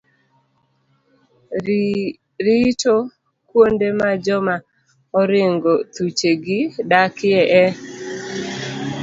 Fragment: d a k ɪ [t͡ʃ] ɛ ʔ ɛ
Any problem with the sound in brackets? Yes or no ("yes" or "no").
yes